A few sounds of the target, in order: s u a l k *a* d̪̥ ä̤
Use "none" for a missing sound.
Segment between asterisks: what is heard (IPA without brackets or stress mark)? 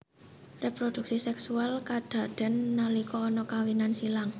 a